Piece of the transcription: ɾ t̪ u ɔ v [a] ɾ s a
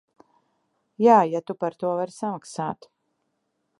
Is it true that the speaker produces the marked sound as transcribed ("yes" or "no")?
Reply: yes